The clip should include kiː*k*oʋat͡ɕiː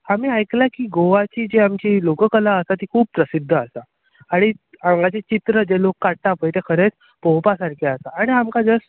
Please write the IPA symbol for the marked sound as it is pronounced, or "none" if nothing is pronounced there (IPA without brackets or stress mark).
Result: ɡ